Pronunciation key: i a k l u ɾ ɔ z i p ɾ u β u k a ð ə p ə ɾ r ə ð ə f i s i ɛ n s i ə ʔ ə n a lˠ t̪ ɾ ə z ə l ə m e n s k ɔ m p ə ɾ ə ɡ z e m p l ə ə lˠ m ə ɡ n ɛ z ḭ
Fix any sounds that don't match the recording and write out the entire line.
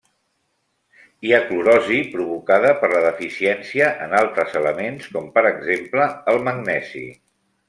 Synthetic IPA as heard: i a k l u ɾ ɔ z i p ɾ u β u k a ð ə p ə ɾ l ə ð ə f i s i ɛ n s i ə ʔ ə n a lˠ t̪ ɾ ə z ə l ə m e n s k ɔ m p ə ɾ ə ɡ z e m p l ə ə lˠ m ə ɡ n ɛ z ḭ